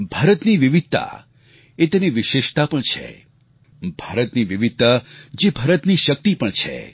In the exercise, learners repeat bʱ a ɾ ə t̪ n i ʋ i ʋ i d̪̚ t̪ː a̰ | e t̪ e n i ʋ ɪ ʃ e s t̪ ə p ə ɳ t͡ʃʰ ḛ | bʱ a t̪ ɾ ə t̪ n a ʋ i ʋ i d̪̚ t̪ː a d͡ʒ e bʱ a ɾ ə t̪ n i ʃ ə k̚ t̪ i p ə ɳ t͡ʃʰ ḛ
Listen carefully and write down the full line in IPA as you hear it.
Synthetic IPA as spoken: bʱ a ɾ ə t̪ n i ʋ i ʋ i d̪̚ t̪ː a̰ | e t̪ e n i ʋ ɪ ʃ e ʃ t̪ a p ə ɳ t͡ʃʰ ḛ | bʱ a ɾ ə t̪ n i ʋ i ʋ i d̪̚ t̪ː a d͡ʒ e bʱ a ɾ ə t̪ n i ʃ ə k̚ t̪ i p ə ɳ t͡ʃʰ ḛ